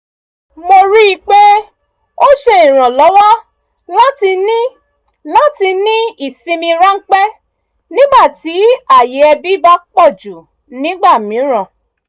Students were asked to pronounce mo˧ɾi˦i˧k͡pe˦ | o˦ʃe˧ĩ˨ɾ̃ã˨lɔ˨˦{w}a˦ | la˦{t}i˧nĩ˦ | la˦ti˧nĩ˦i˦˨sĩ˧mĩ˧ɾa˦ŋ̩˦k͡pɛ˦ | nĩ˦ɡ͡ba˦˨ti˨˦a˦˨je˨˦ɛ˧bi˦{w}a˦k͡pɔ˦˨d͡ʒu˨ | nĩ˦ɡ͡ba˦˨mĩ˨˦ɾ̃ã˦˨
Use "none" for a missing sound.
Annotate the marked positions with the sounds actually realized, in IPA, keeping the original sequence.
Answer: w, t, b

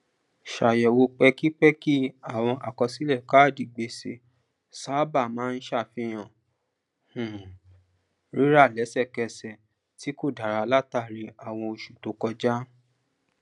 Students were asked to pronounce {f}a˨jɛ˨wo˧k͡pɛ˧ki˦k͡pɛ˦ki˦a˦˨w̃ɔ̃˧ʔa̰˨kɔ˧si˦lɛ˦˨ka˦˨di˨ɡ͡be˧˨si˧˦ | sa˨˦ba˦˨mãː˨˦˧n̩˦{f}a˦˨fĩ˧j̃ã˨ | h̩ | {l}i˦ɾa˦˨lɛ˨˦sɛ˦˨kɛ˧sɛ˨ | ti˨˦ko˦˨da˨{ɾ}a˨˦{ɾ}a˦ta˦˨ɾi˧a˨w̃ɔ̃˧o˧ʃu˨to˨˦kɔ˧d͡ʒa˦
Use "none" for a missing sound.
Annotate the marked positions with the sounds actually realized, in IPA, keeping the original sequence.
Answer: ʃ, ʃ, ɾ, ɾ, l

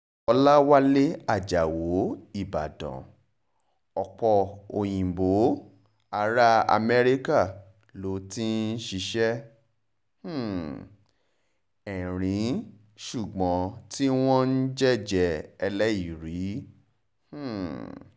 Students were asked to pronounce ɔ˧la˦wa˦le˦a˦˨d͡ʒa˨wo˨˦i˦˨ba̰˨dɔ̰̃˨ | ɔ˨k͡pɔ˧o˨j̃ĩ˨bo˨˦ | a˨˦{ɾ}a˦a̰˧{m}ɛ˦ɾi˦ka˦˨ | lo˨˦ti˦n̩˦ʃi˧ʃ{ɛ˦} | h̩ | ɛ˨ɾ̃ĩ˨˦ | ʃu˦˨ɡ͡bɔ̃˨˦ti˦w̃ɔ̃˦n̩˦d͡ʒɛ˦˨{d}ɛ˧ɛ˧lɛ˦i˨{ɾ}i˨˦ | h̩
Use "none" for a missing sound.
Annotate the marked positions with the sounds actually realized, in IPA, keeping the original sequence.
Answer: ɾ, m, ɛ˦, d͡ʒ, ɾ

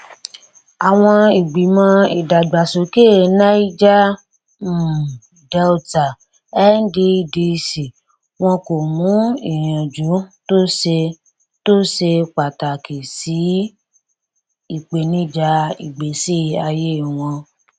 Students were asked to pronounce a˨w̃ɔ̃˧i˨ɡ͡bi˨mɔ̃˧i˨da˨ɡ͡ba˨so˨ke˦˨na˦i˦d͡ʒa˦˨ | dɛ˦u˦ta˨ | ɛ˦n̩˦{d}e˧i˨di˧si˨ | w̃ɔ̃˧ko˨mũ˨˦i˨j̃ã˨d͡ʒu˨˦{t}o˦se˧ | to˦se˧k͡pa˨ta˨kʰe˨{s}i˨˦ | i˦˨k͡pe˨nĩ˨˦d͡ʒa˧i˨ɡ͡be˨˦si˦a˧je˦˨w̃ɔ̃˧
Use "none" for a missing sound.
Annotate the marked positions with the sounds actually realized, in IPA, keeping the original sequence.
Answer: d, t, s

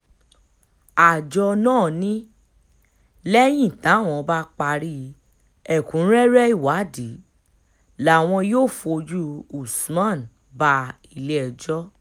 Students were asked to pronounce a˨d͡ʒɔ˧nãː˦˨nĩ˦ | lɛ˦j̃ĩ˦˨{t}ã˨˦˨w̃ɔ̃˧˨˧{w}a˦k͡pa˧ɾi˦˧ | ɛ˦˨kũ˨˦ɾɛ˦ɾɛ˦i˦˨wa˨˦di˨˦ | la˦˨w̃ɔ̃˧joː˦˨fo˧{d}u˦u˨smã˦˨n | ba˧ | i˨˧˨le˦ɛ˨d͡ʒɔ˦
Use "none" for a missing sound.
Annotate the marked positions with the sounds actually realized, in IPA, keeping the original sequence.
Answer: t, b, d͡ʒ

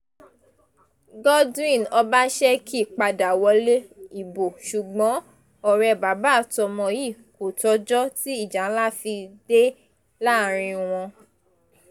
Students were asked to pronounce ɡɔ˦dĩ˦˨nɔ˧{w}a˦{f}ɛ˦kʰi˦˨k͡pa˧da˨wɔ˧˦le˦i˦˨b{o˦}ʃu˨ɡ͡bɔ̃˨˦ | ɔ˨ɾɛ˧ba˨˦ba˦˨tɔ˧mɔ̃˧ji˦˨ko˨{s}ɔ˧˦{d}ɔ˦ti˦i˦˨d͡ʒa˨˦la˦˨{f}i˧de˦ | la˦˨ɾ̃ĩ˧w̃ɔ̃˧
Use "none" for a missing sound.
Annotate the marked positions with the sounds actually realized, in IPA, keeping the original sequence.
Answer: b, ʃ, o˨, t, d͡ʒ, f

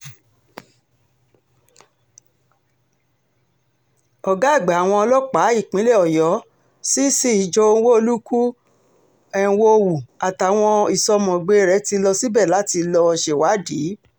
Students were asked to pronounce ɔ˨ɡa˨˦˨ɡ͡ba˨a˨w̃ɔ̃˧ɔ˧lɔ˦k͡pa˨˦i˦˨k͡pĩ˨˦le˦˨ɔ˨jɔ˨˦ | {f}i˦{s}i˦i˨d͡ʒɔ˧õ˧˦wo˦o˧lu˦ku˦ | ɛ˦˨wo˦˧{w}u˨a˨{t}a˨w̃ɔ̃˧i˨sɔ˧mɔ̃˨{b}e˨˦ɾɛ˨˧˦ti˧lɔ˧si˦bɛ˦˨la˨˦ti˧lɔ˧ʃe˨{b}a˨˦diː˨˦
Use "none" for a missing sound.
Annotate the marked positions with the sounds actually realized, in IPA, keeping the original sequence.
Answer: s, s, w, t, ɡ͡b, w

